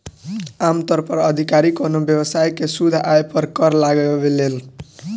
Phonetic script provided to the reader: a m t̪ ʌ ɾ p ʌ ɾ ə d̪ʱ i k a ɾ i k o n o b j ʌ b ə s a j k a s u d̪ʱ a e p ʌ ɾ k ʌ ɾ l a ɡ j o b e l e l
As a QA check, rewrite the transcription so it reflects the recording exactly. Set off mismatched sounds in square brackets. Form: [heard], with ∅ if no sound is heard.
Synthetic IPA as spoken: a m t̪ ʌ ɾ p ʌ ɾ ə d̪ʱ i k a ɾ i k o n o b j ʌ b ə s a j k [e] s u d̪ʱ a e p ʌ ɾ k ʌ ɾ l a ɡ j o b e l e l